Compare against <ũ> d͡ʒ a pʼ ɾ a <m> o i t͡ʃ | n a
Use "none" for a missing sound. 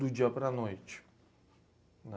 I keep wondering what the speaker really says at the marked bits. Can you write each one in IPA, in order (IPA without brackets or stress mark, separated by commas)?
u, n